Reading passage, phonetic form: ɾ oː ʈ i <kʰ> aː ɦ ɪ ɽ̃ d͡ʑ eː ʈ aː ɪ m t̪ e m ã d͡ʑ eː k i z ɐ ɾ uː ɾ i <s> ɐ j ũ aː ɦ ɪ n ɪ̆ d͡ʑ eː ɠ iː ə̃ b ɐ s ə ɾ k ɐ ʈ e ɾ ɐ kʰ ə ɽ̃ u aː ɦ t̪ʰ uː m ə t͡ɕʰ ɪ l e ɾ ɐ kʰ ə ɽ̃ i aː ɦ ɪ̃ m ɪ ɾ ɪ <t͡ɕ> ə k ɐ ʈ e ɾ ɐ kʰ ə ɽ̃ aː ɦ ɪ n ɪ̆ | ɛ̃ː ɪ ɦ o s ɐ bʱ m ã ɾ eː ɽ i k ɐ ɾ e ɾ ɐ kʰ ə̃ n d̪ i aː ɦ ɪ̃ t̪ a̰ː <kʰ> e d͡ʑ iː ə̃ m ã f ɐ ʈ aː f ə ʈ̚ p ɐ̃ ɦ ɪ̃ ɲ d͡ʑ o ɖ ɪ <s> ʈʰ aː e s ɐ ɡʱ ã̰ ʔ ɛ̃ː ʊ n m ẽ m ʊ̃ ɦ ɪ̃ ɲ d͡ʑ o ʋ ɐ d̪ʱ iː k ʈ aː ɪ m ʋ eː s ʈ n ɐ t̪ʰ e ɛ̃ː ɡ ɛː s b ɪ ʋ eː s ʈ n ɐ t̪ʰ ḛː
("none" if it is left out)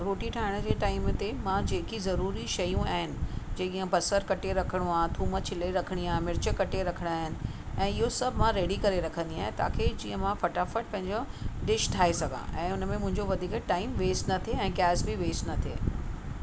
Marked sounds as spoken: ʈʰ, ʃ, t͡ɕ, kʰ, ʃ

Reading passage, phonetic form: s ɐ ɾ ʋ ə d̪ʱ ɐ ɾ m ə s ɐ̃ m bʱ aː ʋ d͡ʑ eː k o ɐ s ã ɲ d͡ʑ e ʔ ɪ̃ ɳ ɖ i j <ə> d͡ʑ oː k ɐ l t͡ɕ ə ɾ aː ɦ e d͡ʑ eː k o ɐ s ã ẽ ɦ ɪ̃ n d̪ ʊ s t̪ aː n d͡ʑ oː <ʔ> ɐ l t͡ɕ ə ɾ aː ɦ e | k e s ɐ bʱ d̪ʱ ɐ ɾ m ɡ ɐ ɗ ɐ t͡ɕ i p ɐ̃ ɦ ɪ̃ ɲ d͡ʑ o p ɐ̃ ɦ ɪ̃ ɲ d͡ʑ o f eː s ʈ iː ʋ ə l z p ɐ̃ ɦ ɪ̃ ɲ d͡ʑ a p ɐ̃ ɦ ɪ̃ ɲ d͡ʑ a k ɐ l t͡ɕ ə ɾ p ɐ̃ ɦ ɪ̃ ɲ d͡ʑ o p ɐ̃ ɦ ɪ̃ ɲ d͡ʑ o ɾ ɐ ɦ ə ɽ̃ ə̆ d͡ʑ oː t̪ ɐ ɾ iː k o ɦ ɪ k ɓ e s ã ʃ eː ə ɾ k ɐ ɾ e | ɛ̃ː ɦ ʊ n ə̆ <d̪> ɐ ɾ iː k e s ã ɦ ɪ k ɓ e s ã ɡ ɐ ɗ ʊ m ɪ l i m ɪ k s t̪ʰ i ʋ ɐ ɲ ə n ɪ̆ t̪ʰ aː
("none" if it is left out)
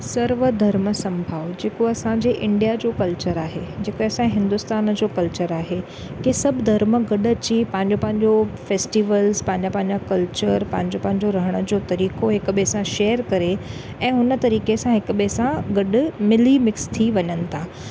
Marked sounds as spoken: a, k, t̪

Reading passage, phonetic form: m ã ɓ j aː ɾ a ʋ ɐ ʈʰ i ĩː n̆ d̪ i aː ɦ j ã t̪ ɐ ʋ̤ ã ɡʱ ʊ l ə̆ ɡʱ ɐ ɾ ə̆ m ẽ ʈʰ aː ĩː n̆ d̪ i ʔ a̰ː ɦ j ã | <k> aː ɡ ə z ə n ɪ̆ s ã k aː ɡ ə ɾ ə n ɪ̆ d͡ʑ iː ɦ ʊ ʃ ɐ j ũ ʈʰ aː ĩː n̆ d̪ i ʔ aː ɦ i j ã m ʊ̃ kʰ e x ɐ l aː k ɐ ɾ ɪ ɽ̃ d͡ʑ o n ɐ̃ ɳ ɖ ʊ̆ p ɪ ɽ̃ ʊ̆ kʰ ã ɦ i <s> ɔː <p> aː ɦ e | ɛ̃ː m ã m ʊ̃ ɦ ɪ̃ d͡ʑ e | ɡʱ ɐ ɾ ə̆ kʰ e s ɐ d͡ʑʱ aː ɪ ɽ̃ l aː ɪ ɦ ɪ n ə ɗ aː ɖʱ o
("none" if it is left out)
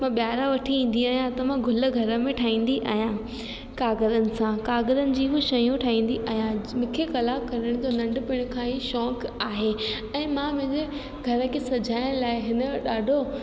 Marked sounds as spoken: k, ʃ, k

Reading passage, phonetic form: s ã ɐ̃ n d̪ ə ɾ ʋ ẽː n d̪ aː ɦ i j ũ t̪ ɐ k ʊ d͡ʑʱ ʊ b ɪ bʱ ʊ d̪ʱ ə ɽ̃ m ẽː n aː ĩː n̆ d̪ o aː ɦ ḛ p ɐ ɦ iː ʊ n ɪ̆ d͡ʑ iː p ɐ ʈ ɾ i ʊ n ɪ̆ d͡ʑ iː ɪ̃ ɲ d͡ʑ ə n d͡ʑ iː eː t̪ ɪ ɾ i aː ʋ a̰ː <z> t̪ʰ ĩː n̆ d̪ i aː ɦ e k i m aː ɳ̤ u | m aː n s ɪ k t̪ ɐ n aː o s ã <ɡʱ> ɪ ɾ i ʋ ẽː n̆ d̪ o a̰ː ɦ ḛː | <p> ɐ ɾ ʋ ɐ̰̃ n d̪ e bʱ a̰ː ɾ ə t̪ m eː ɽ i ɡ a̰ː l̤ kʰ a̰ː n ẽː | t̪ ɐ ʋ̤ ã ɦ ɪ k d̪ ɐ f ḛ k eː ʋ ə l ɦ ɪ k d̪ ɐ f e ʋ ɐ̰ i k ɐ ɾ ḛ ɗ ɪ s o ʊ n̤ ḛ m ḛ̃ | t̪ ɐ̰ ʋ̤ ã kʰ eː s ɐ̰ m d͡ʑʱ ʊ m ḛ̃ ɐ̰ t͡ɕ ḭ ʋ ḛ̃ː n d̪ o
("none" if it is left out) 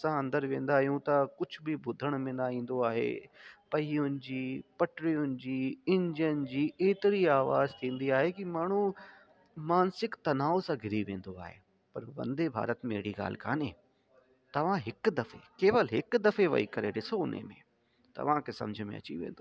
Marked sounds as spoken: z, ɡʱ, p

